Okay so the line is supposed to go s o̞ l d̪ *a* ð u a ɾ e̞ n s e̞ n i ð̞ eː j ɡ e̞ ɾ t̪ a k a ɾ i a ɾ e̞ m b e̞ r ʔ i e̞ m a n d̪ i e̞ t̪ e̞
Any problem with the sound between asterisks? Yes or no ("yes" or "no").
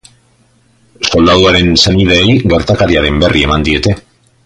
no